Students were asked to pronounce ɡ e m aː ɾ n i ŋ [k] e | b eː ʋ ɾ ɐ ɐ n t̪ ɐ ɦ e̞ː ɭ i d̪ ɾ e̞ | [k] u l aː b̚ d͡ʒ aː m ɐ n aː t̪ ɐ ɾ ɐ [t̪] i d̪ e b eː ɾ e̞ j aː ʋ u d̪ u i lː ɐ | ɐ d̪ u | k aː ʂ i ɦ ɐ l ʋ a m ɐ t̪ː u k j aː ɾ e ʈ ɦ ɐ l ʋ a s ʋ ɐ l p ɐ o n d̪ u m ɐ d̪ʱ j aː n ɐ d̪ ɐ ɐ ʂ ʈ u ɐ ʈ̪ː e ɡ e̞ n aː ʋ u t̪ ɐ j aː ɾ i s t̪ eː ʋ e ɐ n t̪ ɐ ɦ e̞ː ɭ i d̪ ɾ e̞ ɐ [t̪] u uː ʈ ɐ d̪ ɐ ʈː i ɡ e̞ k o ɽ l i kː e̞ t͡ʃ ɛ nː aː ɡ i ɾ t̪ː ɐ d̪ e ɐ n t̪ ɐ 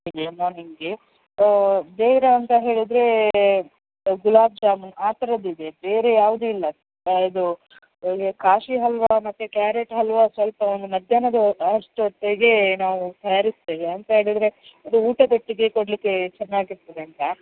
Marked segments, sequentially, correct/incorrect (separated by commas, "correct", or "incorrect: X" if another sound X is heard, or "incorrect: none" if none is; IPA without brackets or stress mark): incorrect: ɡ, incorrect: ɡ, incorrect: d̪, incorrect: d̪